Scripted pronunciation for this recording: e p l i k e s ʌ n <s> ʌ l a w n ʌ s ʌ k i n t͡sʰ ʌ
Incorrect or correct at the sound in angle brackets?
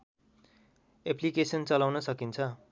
incorrect: t͡s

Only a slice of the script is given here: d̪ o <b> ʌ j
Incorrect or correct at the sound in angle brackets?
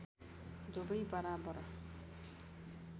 correct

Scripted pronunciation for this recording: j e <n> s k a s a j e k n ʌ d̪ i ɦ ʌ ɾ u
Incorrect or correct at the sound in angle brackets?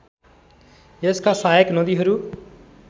incorrect: none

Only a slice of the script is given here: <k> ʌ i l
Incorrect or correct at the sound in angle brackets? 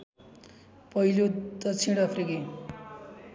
incorrect: p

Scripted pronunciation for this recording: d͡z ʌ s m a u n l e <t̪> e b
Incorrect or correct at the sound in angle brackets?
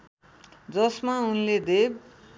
incorrect: d̪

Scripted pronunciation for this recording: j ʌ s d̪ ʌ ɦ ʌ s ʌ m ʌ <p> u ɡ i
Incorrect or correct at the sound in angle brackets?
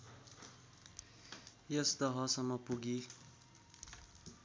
correct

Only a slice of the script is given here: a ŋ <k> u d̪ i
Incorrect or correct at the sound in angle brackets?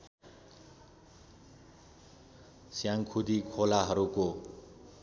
incorrect: kʰ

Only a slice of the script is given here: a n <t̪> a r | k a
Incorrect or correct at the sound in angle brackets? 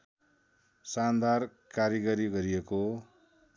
incorrect: d̪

